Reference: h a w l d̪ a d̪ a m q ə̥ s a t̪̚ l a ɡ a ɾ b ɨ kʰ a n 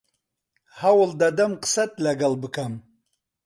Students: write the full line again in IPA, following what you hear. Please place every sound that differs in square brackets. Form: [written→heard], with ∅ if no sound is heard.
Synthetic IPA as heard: h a w l d̪ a d̪ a m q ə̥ s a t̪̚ l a ɡ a [ɾ→l] b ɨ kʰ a [n→m]